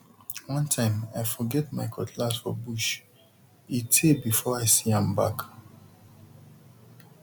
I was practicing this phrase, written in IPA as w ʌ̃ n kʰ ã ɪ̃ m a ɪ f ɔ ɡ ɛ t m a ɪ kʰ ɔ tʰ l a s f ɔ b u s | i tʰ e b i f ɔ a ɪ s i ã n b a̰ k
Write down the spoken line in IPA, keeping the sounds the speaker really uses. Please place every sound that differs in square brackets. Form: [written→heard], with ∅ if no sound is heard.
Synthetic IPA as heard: w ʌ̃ n [kʰ→tʰ] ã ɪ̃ m a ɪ f ɔ ɡ ɛ t m a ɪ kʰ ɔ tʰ l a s f ɔ b u [s→ʃ] | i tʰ e b i f ɔ a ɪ s i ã [n→m] b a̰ k